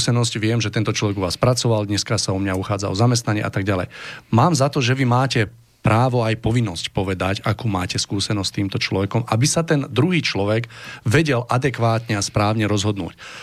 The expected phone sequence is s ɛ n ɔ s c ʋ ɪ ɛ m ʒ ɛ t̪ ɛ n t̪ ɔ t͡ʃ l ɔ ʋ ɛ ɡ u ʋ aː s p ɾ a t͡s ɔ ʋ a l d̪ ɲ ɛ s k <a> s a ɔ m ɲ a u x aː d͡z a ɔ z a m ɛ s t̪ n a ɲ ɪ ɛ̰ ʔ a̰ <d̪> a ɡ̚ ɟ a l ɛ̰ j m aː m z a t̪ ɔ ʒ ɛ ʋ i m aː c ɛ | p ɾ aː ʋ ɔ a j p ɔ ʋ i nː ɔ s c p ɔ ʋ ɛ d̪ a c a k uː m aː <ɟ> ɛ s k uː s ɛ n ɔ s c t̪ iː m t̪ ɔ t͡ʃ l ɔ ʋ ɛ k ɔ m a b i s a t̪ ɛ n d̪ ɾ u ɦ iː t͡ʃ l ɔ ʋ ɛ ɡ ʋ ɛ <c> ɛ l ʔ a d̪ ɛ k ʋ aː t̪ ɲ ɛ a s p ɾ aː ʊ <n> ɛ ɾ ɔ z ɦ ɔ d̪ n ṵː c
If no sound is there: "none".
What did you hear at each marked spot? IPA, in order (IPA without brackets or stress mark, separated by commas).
a, t̪, c, ɟ, ɲ